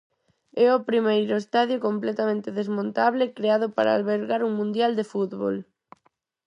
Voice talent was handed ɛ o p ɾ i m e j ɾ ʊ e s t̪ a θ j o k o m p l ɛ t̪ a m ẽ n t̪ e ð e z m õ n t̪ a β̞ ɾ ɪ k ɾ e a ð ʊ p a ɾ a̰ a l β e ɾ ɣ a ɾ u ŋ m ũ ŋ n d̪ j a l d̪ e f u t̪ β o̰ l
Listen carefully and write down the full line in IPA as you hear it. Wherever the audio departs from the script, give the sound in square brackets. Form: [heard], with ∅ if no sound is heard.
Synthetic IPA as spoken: ɛ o p ɾ i m e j ɾ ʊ e s t̪ a [ð] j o k o m p l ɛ t̪ a m ẽ n t̪ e ð e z m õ n t̪ a β̞ [l] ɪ k ɾ e a ð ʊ p a ɾ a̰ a l β e ɾ ɣ a ɾ u ŋ m ũ [∅] n d̪ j a l d̪ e f u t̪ β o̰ l